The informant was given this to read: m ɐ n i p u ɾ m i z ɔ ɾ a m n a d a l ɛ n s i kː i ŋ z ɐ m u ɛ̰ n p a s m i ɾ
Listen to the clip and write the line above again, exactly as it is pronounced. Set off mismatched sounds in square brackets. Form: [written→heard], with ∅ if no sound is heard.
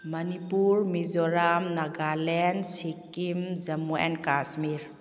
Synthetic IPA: m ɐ n i p u ɾ m i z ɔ ɾ a m n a [d→ɡ] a l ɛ n s i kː i [ŋ→m] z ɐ m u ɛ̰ n [p→k] a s m i ɾ